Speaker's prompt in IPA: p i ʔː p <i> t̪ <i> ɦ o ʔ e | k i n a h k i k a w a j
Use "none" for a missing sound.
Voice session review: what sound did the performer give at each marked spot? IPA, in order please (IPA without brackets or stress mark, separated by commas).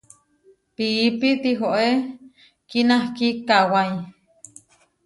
i, i